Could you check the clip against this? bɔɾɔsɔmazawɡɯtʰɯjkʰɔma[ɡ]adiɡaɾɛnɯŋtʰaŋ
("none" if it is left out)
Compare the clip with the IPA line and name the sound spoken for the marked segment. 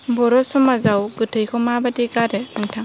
b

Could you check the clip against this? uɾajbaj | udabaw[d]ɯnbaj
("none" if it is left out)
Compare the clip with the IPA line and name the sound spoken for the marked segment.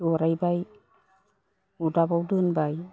d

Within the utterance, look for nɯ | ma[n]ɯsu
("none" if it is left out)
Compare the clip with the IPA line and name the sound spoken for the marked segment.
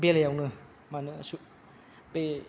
n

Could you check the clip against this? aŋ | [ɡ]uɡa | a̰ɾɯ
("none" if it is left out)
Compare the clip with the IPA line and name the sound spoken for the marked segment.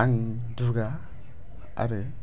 d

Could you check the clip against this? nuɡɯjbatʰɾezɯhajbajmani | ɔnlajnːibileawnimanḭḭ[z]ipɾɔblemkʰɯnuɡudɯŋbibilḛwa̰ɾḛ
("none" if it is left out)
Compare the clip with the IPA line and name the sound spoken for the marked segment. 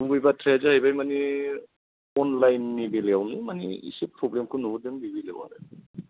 s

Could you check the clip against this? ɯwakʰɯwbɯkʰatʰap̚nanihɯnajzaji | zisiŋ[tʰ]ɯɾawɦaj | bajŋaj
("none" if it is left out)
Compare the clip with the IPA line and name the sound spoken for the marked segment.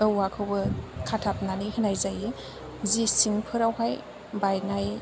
pʰ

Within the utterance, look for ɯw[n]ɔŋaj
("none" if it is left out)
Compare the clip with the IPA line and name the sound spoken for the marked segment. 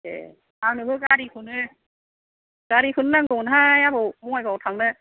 m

